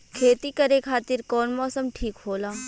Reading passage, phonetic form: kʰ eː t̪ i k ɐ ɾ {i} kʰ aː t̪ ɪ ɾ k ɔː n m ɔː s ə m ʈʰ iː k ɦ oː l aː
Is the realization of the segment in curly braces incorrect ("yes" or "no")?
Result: yes